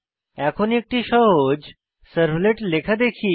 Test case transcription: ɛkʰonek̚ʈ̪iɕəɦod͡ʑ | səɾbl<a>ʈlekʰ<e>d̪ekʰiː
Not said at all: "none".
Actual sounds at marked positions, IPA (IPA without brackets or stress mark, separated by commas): e, a